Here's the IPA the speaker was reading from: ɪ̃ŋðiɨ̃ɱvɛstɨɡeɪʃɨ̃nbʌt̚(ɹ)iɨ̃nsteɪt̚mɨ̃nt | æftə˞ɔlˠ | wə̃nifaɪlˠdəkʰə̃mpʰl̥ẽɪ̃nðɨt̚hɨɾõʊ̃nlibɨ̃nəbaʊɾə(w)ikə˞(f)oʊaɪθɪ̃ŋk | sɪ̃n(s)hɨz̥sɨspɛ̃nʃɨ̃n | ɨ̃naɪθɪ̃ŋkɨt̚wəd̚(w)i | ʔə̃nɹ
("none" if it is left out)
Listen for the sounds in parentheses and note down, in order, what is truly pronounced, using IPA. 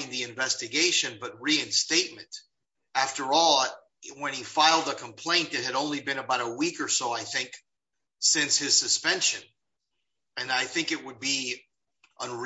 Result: ɹ, w, s, s, b

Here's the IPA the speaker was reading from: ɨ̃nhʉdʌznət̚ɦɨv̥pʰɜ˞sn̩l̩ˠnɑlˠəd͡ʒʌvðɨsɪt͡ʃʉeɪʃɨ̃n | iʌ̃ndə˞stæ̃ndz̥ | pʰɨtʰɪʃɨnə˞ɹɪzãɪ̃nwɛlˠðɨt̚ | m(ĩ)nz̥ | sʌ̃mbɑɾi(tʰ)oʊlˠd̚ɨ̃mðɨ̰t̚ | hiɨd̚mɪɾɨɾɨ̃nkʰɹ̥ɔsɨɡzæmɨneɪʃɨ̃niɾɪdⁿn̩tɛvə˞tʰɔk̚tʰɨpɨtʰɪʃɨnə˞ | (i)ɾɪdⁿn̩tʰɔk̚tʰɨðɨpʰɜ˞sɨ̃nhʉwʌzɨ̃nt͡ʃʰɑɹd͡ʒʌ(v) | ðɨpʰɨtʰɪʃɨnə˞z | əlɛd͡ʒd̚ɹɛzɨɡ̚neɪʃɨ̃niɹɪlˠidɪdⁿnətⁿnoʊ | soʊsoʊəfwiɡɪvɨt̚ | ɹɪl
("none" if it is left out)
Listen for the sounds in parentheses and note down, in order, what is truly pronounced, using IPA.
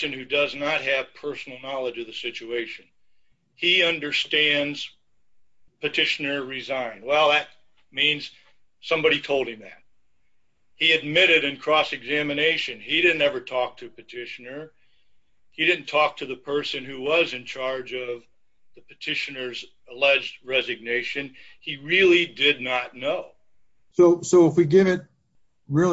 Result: ĩ, tʰ, i, v

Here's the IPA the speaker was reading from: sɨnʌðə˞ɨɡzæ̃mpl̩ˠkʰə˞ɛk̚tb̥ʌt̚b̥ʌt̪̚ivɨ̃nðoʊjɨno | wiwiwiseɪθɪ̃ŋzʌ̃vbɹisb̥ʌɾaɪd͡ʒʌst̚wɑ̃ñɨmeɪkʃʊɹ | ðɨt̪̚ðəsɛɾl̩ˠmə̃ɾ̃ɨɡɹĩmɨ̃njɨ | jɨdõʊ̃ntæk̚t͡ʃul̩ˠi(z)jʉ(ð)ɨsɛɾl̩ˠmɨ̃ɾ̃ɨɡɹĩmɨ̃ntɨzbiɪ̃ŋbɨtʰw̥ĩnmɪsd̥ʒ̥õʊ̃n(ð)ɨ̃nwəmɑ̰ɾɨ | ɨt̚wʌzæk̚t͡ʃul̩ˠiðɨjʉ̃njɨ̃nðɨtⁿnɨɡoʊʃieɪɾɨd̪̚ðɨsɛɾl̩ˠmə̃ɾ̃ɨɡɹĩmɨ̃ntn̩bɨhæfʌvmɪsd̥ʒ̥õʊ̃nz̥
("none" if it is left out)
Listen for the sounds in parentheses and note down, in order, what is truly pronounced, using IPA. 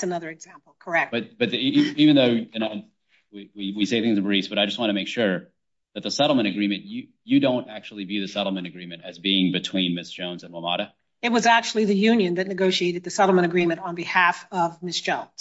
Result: v, ð, z

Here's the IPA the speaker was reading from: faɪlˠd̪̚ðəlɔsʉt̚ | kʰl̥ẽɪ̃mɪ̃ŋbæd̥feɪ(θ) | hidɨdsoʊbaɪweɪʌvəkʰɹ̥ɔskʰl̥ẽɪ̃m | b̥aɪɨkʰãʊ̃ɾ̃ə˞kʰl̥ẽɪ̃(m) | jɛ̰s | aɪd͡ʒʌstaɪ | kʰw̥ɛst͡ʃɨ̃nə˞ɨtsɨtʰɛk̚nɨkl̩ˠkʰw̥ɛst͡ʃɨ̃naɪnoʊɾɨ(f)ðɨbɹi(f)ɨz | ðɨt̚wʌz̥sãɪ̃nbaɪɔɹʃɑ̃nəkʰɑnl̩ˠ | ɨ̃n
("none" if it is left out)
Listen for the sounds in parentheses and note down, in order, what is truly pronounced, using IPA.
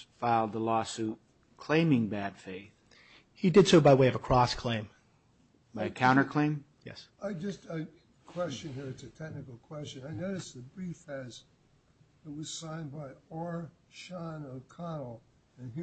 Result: θ, m, s, f

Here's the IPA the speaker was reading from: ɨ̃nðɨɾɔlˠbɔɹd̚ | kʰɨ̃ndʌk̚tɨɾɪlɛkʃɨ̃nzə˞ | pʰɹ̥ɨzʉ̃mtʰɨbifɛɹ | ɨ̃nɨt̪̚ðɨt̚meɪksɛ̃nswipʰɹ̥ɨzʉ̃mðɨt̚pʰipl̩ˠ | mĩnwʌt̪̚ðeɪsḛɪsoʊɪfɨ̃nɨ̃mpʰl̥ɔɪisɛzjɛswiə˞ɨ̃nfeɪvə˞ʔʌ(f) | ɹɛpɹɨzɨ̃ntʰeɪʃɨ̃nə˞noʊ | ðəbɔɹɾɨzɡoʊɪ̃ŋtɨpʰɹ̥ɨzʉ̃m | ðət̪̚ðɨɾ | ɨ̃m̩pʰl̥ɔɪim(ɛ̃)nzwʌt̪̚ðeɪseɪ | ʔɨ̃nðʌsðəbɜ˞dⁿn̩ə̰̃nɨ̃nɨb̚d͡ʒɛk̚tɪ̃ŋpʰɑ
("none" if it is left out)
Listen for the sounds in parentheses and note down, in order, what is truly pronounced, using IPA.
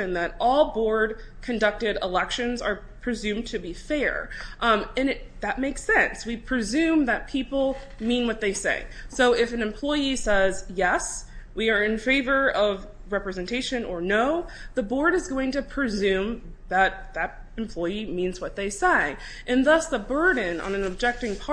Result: v, ĩ

